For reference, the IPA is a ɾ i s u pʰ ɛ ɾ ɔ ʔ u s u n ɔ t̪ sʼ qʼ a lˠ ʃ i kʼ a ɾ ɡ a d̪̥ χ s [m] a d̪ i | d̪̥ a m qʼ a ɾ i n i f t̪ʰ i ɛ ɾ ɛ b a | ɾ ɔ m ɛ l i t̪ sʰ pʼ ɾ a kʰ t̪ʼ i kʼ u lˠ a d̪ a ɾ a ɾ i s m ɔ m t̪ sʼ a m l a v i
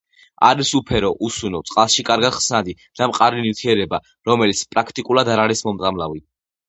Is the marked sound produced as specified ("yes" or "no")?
no